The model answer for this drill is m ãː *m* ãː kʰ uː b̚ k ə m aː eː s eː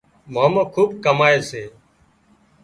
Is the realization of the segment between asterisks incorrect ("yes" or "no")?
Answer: no